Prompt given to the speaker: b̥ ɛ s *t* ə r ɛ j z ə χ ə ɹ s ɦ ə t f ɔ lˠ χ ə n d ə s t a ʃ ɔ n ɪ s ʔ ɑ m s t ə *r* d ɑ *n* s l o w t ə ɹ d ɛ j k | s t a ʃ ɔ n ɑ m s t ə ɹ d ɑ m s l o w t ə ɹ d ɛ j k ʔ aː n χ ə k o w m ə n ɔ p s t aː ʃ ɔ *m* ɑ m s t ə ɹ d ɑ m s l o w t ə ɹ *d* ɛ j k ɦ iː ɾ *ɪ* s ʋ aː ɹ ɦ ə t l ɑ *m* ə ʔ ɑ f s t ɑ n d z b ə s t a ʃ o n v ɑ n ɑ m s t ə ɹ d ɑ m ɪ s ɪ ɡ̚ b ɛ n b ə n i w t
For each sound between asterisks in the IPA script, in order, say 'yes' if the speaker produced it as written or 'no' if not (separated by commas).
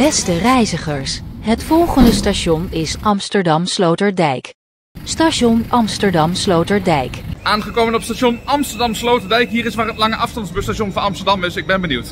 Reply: yes, no, no, no, yes, yes, no